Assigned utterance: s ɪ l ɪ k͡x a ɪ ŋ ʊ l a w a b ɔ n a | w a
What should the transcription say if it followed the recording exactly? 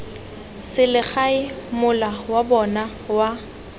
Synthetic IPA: s ɪ l ɪ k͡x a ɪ m ʊ l a w a b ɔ n a | w a